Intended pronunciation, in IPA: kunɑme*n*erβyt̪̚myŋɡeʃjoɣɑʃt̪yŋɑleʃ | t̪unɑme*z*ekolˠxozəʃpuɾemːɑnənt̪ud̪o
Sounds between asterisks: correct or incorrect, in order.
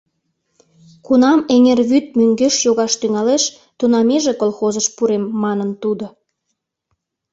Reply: incorrect: ŋ, incorrect: ʒ

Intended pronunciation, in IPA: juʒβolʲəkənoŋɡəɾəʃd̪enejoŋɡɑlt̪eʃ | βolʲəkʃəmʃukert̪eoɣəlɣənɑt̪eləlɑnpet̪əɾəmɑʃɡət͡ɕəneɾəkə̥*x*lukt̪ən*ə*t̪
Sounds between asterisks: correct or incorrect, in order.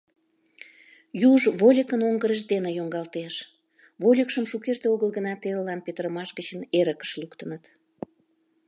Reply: incorrect: ʃ, correct

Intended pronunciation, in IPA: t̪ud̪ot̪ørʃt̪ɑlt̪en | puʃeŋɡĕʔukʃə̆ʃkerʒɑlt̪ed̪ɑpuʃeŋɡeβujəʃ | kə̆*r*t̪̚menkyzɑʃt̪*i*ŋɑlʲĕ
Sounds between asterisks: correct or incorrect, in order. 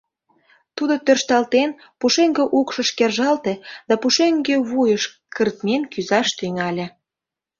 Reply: correct, incorrect: y

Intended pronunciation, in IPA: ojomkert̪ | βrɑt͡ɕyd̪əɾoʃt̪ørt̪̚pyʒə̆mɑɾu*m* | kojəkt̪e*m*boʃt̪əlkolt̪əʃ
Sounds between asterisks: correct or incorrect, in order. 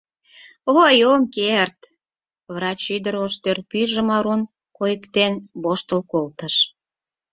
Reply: incorrect: n, incorrect: n

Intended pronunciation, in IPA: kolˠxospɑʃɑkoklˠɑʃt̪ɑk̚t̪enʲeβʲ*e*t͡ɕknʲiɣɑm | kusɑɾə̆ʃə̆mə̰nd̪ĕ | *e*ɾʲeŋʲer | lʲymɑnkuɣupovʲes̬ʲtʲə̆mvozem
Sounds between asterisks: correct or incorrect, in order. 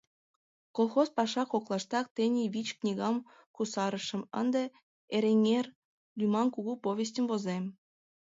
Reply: incorrect: i, correct

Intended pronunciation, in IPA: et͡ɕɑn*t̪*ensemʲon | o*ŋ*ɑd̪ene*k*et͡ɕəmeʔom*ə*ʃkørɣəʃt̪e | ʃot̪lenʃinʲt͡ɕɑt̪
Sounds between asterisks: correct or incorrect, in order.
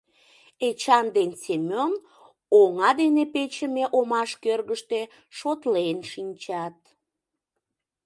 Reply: incorrect: d̪, correct, incorrect: p, incorrect: ɑ

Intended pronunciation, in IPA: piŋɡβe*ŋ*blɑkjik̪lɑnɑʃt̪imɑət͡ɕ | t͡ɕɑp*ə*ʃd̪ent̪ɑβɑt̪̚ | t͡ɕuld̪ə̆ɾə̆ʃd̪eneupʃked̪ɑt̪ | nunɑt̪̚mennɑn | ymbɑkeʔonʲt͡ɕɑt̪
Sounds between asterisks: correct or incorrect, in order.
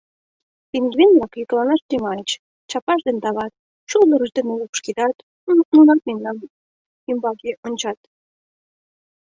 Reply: incorrect: n, incorrect: ɑ

